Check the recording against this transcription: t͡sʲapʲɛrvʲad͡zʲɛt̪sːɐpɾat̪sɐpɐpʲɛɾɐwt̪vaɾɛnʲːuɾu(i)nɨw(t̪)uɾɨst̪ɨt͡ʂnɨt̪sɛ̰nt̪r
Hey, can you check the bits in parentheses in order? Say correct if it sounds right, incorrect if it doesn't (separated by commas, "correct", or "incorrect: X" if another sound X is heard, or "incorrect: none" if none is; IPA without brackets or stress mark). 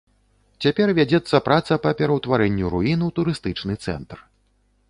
correct, correct